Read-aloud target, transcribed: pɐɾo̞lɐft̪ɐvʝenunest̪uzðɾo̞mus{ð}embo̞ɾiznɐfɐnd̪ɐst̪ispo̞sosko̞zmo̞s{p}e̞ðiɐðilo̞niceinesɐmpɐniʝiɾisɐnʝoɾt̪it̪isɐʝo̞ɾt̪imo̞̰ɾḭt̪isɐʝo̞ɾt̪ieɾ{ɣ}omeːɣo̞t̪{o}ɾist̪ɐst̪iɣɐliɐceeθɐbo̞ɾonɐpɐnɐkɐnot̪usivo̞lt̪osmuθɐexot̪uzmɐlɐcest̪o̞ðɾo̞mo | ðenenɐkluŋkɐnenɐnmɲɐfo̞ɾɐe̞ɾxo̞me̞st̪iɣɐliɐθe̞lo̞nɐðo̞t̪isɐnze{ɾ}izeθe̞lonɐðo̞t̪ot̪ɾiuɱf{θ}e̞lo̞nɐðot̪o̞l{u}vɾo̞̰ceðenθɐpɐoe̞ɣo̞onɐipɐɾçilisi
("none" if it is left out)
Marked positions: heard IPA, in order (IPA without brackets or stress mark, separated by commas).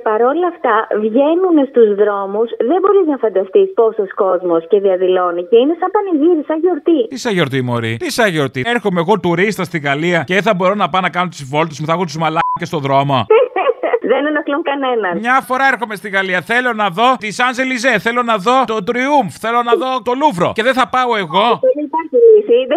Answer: ð, c, x, u, l, θ, u